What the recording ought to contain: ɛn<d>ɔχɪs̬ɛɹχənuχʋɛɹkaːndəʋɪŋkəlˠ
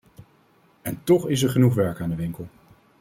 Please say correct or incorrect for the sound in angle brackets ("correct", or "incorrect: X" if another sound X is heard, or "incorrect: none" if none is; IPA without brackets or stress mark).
incorrect: t